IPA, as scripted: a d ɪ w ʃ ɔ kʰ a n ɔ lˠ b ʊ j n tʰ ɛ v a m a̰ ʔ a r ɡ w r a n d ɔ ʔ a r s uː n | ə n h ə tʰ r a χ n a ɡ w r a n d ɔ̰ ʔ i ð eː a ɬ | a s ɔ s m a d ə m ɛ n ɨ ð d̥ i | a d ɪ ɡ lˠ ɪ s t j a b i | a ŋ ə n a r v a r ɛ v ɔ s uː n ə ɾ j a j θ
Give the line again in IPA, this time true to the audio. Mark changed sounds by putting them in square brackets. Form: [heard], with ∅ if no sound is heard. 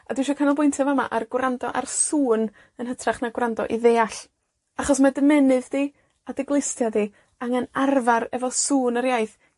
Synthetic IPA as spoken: a d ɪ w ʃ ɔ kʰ a n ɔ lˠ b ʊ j n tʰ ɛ v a m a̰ ʔ a r ɡ w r a n d ɔ ʔ a r s uː n | ə n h ə tʰ r a χ n a ɡ w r a n d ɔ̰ ʔ i ð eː a ɬ | a [χ] ɔ s m a d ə m ɛ n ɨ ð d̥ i | a d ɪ ɡ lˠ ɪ s t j a [d] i | a ŋ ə n a r v a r ɛ v ɔ s uː n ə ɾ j a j θ

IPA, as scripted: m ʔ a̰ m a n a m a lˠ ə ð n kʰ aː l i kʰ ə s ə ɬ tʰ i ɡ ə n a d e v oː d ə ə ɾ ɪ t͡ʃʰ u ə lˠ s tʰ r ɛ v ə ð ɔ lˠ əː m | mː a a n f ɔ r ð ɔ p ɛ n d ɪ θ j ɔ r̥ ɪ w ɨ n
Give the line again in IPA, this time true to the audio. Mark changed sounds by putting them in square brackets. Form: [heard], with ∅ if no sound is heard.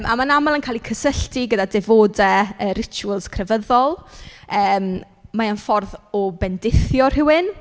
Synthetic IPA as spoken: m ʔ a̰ m a n a m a lˠ ə [∅] n kʰ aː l i kʰ ə s ə ɬ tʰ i ɡ ə [d] a d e v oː d ə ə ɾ ɪ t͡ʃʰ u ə lˠ s [kʰ] r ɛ v ə ð ɔ lˠ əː m | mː a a n f ɔ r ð ɔ [b] ɛ n d ɪ θ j ɔ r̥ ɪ w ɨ n

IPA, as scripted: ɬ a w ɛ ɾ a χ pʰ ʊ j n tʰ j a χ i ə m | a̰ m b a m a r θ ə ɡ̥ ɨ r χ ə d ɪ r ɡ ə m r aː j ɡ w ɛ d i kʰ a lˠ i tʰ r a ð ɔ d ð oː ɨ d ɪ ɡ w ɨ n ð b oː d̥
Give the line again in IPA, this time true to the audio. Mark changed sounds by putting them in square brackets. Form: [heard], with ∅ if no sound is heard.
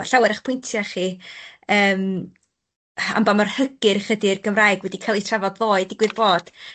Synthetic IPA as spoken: ɬ a w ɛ ɾ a χ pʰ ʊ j n tʰ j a χ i [əː] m | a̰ m b a m a r [h] ə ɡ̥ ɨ r χ ə d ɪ r ɡ ə m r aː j ɡ w ɛ d i kʰ a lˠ i tʰ r a [v] ɔ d ð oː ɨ d ɪ ɡ w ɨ [∅] ð b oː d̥

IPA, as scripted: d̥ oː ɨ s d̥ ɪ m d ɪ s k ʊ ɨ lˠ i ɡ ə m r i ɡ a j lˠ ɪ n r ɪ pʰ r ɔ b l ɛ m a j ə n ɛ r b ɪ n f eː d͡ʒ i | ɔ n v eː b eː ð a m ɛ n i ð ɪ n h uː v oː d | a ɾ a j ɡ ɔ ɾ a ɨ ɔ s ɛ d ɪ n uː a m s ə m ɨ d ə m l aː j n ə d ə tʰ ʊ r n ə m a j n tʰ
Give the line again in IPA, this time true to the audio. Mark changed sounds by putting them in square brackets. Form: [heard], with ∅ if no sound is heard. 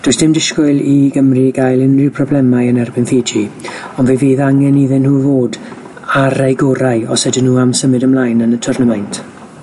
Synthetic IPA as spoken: d̥ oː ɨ s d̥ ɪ m d ɪ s k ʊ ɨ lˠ i ɡ ə m r i ɡ a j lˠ ɪ n r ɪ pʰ r ɔ b l ɛ m a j ə n ɛ r b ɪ n f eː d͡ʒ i | ɔ n v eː [v] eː ð a [ŋ] ɛ n i ð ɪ n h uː v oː d | a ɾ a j ɡ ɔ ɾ a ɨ ɔ s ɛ d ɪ n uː a m s ə m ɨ d ə m l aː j n ə [n] ə tʰ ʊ r n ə m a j n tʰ

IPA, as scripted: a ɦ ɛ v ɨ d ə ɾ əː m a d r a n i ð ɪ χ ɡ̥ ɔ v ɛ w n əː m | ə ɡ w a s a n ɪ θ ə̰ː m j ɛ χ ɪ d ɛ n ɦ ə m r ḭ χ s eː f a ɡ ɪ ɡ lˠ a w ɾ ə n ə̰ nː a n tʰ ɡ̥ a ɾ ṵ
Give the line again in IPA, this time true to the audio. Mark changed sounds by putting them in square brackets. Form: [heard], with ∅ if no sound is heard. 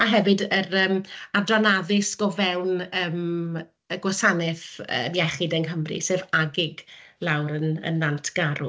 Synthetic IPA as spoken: a ɦ ɛ v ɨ d ə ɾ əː m a d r a n [a] ð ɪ [s] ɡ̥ ɔ v ɛ w n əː m | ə ɡ w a s a n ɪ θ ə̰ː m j ɛ χ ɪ d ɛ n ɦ ə m r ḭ [∅] s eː [v] a ɡ ɪ ɡ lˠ a w ɾ ə n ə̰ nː a n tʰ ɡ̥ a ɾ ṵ

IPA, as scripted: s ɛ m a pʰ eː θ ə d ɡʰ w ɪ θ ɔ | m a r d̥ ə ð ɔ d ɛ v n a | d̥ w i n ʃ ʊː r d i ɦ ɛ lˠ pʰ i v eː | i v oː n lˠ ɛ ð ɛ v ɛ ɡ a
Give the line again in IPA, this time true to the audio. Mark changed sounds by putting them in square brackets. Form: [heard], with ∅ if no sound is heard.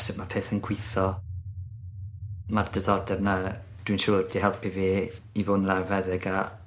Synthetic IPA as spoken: s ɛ m a pʰ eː θ ə [n] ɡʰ w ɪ θ ɔ | m a r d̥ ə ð ɔ d ɛ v n a | d̥ w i n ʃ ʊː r d i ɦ ɛ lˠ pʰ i v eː | i v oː n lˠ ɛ [v] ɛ [ð] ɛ ɡ a

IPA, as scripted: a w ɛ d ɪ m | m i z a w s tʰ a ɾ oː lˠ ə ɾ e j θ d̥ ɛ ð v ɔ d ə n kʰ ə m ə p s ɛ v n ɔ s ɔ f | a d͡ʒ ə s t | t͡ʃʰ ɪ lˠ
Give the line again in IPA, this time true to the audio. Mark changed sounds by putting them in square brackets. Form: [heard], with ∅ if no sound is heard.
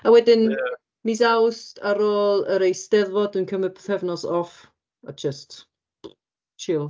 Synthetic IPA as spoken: a w ɛ d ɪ [n] | m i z a w s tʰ a ɾ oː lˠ ə ɾ e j [s] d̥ ɛ ð v ɔ d ə n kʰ ə m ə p [θ] ɛ v n ɔ s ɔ f | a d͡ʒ ə s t | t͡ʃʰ ɪ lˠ

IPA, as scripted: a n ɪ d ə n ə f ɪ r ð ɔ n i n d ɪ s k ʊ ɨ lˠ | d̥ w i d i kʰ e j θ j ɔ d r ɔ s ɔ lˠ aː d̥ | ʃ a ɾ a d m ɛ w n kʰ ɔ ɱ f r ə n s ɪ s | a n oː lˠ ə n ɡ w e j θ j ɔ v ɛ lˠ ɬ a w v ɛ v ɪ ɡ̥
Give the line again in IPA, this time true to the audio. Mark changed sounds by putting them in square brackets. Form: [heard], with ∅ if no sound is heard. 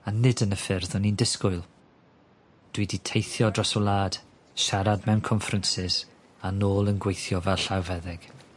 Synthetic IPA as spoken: a n ɪ d ə n ə f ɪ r ð ɔ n i n d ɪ s k ʊ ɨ lˠ | d̥ w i d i [tʰ] e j θ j ɔ d r ɔ s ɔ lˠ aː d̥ | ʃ a ɾ a d m ɛ w n kʰ ɔ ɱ f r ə n s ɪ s | a n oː lˠ ə n ɡ w e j θ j ɔ v ɛ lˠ ɬ a w v ɛ [ð] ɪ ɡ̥

